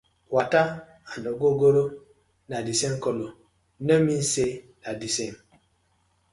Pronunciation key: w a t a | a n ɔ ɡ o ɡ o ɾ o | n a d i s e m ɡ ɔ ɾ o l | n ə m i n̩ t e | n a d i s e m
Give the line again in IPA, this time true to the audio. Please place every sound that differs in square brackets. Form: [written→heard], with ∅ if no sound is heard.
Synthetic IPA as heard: w a t a | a n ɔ ɡ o ɡ o ɾ o | n a d i s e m [ɡ→k] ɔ [ɾ→l] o [l→∅] | n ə m i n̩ [t→s] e | n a d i s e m